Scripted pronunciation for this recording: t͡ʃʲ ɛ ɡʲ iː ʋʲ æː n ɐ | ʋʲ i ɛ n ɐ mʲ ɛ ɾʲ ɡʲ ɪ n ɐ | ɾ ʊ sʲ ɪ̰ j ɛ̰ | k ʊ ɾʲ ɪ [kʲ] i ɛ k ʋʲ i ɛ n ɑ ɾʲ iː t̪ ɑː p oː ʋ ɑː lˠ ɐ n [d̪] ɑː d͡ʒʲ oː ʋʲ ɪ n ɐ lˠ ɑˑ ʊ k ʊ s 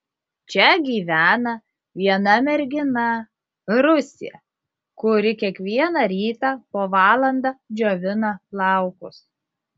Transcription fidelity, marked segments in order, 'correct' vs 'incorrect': correct, correct

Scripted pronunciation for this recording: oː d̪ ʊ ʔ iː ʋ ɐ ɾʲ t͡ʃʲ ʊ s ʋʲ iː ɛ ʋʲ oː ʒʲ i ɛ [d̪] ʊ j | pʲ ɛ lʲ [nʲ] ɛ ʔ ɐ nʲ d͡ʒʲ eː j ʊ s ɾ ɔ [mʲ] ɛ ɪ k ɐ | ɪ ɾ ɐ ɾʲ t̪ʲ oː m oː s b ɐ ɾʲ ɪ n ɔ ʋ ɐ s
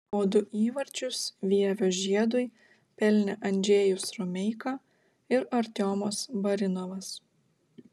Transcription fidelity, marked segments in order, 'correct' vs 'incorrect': correct, correct, correct

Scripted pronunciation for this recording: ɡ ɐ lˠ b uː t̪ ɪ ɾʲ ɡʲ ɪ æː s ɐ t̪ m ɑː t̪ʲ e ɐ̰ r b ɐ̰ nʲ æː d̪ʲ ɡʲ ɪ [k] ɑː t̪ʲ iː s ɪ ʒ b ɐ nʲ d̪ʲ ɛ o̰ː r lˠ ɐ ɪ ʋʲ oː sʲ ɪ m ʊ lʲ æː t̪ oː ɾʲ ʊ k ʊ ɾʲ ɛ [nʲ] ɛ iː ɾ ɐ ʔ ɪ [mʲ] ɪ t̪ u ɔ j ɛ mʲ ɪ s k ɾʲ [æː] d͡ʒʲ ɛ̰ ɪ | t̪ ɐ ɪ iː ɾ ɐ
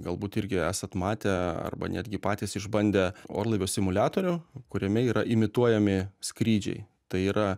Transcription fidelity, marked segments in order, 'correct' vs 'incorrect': incorrect: p, incorrect: mʲ, correct, incorrect: iː

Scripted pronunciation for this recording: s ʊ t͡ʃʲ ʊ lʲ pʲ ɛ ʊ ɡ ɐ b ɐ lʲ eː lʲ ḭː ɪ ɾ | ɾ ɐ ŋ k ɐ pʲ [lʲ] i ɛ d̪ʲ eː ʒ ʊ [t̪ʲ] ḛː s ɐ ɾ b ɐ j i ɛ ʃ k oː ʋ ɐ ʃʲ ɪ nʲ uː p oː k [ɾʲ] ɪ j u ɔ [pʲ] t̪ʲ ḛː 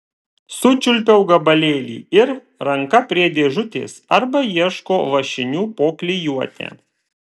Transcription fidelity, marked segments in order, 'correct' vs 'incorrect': incorrect: ɾʲ, correct, incorrect: lʲ, incorrect: none

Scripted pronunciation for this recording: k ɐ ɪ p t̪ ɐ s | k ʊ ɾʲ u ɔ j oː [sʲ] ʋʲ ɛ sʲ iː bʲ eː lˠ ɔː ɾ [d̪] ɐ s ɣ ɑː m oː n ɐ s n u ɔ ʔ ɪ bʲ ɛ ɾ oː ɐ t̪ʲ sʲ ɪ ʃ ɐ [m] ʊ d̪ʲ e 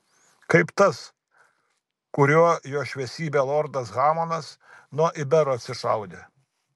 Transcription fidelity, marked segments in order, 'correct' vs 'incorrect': incorrect: ʃʲ, correct, incorrect: none

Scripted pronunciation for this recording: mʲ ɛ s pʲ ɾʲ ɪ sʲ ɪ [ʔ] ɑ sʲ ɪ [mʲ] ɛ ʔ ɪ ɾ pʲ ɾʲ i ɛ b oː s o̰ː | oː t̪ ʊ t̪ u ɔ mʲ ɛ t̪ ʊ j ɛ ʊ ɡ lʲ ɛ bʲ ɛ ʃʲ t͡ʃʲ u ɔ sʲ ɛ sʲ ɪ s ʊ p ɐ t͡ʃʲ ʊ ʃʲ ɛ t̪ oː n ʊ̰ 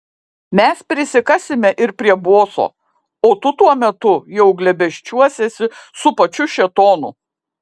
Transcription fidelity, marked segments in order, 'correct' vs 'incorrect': incorrect: k, correct

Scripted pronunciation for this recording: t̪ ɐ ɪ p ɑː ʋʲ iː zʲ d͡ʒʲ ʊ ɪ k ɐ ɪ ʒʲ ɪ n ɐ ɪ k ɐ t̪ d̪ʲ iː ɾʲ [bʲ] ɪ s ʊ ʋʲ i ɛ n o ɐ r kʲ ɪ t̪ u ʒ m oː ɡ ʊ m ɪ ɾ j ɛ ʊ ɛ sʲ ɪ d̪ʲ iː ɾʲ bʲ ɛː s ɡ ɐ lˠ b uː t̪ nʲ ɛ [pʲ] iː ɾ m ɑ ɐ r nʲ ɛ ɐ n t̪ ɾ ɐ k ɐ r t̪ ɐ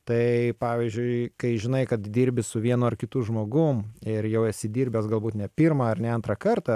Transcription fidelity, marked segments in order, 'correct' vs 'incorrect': correct, correct

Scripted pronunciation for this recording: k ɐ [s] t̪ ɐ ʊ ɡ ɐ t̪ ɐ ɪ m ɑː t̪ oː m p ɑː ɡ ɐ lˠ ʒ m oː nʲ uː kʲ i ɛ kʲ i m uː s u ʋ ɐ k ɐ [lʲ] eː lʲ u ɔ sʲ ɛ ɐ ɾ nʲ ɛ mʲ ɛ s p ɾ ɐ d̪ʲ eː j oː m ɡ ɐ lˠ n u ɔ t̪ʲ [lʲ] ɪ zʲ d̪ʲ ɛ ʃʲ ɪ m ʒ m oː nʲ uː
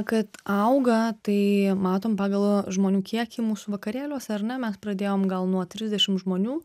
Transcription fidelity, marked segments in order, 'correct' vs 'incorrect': incorrect: none, incorrect: ɾʲ, incorrect: ɾʲ

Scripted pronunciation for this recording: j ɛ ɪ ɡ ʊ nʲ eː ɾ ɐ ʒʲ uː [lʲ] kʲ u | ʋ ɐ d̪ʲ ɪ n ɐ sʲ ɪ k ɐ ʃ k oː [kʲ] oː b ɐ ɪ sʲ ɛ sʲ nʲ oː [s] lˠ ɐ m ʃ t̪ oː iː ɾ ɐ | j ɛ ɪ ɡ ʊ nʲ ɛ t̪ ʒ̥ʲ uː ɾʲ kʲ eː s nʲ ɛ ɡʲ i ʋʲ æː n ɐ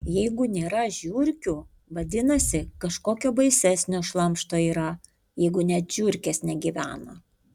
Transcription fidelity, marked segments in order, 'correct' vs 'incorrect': incorrect: ɾʲ, correct, incorrect: ʃ

